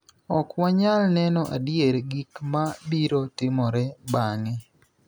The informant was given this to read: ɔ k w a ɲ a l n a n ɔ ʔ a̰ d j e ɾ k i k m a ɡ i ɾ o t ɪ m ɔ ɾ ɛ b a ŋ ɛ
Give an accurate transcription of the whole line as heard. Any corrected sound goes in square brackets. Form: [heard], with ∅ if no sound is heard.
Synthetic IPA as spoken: ɔ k w a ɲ a l n [ɛ] n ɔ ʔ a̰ d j e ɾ [ɡ] i k m a [b] i ɾ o t ɪ m ɔ ɾ ɛ b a ŋ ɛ